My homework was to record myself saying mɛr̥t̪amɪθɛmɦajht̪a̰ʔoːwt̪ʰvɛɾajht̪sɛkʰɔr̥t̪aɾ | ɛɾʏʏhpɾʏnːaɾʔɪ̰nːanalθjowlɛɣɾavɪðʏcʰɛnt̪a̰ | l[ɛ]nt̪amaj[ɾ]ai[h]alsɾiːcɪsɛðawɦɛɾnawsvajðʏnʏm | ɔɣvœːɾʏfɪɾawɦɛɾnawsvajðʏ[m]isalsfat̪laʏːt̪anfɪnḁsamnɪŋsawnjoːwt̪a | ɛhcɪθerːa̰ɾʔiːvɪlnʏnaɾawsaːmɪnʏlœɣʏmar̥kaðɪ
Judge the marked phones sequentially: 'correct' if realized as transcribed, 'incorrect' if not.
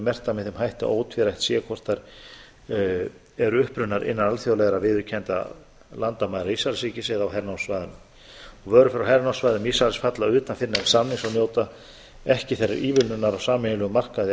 incorrect: a, correct, incorrect: s, correct

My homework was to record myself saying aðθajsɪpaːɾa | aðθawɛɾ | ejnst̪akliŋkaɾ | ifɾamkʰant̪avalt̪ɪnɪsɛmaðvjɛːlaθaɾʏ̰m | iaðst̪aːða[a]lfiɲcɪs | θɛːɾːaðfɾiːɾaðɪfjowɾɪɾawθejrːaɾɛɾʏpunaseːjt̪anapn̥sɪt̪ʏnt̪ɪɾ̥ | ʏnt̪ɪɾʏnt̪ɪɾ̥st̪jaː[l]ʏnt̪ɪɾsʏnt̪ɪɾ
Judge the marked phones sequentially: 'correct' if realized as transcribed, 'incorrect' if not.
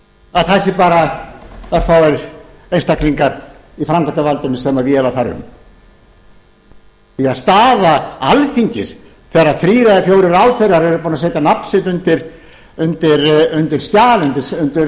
correct, correct

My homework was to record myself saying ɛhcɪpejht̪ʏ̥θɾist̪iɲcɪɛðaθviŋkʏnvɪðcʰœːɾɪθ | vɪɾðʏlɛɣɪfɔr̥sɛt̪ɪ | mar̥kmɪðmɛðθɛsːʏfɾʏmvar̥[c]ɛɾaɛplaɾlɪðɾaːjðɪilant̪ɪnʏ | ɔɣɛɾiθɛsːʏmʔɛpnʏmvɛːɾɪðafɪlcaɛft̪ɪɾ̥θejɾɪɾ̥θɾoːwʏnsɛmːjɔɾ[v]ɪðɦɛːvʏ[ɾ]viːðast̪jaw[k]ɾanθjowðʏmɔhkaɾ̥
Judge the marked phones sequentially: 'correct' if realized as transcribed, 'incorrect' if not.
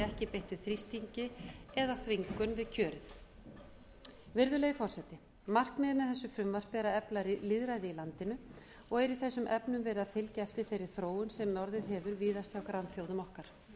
incorrect: p, incorrect: ð, correct, correct

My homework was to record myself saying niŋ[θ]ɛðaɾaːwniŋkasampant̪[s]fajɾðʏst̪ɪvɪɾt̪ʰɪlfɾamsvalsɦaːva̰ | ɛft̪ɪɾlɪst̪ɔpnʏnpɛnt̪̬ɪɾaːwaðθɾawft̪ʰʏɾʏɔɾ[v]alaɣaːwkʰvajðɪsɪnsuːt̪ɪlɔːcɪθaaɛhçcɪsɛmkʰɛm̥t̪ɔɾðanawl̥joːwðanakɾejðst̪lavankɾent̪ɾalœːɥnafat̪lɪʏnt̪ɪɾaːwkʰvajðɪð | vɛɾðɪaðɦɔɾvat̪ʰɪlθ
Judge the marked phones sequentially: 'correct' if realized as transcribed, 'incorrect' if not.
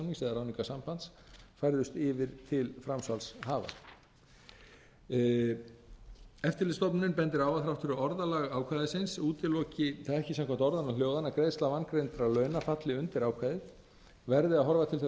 incorrect: s, correct, incorrect: ð

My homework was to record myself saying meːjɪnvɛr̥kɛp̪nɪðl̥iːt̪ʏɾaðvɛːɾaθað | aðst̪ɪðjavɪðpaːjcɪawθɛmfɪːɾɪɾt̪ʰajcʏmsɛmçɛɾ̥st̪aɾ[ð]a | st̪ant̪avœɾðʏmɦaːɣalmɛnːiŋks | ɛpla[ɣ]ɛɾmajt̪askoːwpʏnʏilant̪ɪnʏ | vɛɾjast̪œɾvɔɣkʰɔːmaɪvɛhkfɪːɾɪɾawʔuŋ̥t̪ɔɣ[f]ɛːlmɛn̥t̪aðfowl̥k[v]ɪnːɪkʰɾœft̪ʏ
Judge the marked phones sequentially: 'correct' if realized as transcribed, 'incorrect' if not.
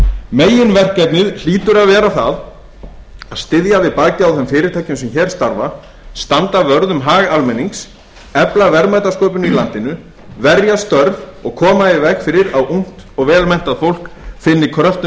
incorrect: v, incorrect: v, incorrect: v, incorrect: f

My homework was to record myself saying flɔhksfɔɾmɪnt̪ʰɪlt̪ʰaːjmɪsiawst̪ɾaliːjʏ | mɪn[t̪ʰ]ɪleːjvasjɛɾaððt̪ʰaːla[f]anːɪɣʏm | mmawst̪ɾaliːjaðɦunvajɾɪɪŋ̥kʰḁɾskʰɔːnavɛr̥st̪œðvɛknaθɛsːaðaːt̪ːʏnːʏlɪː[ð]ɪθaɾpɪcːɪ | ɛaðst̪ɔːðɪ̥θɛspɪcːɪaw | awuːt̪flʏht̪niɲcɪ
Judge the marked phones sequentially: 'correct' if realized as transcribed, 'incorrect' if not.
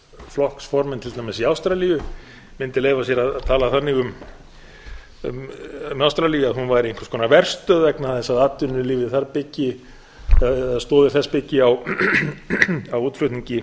incorrect: t̪, incorrect: θ, incorrect: v

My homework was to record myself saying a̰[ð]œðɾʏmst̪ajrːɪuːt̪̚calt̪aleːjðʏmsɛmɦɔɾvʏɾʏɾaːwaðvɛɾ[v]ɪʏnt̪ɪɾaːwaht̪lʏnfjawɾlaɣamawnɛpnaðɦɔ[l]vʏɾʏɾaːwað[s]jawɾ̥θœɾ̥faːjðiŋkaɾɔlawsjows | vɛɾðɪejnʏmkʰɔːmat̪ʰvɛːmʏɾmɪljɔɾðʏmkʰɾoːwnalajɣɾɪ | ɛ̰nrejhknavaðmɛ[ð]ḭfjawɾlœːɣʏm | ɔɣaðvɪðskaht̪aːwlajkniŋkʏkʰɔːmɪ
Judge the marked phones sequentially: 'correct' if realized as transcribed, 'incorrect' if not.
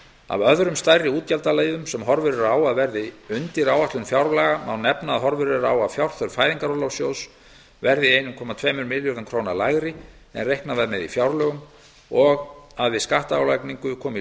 incorrect: v, incorrect: ð, incorrect: ɾ, incorrect: f, correct

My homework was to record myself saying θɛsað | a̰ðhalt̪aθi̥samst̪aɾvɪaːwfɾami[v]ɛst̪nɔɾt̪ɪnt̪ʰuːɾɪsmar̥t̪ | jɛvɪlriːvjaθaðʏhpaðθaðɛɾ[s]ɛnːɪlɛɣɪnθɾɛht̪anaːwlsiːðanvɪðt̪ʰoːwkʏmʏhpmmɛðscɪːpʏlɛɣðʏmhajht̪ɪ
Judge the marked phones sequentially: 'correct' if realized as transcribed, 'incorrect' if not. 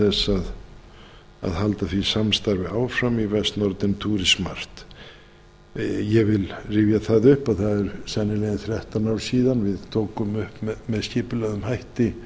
correct, correct

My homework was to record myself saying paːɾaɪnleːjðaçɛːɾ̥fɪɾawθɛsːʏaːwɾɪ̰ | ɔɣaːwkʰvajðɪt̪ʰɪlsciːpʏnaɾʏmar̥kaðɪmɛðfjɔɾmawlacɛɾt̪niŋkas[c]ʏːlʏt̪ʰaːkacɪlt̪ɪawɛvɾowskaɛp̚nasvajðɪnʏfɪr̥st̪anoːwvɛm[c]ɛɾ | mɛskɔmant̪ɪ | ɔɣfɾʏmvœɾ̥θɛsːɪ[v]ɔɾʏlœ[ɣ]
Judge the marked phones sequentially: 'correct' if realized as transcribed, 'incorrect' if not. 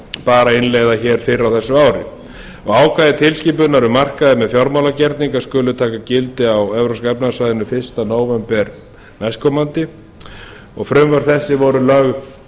incorrect: k, incorrect: p, correct, correct

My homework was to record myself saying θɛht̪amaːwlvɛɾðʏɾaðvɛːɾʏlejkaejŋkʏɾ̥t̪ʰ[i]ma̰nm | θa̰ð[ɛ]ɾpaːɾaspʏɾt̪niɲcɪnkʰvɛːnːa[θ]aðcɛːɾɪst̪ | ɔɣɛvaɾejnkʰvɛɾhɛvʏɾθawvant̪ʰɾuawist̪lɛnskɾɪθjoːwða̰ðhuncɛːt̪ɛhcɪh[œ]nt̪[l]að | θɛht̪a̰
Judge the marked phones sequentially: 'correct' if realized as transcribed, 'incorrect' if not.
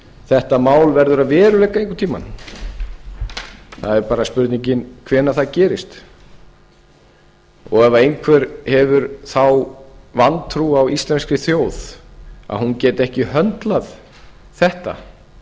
incorrect: iː, correct, correct, correct, correct

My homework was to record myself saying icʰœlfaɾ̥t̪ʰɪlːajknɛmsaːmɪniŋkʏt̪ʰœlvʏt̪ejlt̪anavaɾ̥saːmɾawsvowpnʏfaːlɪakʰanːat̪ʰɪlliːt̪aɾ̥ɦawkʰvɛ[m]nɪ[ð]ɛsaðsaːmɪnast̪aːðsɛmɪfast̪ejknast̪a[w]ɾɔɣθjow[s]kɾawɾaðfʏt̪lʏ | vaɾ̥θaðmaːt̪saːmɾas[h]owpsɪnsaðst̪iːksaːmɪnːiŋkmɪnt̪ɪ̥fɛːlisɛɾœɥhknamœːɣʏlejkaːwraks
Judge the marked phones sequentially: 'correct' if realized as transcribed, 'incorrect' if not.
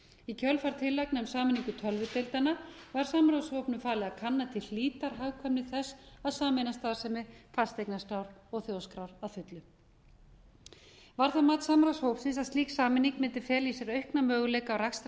correct, incorrect: θ, correct, correct, correct

